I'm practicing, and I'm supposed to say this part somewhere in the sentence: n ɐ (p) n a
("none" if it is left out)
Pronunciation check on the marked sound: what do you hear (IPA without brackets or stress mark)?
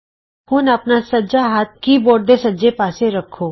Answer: p